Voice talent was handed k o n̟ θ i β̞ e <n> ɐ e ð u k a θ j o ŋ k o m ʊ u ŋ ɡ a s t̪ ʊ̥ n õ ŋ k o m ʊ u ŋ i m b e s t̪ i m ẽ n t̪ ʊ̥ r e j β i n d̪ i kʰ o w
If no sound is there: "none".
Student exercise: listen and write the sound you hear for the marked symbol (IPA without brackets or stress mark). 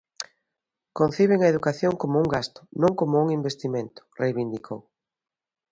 ŋ